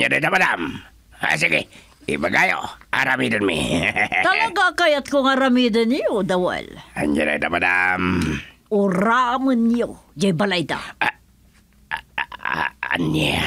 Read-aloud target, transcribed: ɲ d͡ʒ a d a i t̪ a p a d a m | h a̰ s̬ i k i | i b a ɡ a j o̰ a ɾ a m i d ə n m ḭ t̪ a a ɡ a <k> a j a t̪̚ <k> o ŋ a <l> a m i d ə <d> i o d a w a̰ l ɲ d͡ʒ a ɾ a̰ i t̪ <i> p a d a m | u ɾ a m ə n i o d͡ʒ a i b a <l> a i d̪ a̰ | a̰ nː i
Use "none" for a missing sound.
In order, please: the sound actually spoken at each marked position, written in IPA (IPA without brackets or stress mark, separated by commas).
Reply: k, k, ɾ, n, a, l